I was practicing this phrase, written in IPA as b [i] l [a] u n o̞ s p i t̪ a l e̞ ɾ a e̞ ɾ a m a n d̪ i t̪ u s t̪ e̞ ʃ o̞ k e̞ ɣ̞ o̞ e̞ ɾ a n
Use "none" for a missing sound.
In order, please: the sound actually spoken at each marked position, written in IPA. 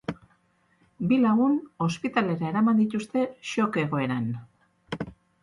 i, a

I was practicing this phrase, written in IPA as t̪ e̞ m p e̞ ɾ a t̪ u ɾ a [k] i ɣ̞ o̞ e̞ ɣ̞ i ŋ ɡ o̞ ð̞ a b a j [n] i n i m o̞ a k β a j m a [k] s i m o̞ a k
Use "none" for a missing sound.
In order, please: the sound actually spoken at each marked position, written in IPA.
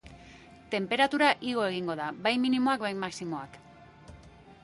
ʔ, m, k

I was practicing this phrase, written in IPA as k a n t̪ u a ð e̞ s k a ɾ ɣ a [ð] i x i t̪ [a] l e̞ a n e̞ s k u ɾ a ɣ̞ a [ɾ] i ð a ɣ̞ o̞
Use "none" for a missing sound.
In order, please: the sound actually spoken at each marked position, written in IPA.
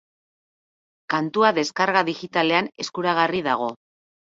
ð, a, r

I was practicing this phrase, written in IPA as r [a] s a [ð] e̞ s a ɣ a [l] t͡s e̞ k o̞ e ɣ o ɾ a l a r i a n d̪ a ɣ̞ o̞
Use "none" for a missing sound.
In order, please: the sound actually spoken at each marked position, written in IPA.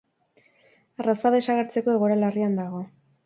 a, ð, ɾ

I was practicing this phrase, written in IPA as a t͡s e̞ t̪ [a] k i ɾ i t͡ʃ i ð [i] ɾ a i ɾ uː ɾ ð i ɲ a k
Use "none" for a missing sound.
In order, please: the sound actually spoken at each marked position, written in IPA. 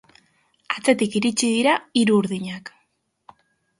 i, i

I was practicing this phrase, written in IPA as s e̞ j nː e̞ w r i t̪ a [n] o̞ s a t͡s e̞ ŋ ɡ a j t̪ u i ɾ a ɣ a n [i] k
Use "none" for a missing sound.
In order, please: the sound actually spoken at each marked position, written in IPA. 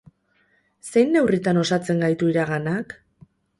n, a

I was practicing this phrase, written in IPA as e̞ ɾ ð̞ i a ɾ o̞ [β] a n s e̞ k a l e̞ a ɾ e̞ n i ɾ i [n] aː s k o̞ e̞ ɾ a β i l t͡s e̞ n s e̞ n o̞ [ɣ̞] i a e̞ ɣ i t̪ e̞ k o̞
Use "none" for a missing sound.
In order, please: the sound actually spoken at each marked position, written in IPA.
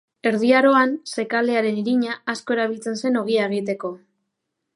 none, ɲ, ɣ̞

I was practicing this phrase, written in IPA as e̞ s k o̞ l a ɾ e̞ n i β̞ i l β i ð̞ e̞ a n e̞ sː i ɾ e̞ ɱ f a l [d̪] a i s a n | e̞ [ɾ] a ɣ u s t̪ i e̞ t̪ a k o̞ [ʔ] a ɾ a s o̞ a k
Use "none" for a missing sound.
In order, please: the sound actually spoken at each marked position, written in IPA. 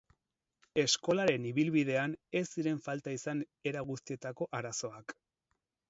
t̪, ɾ, ʔ

